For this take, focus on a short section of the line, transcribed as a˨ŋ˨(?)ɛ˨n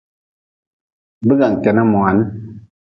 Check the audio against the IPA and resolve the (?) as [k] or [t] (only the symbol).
k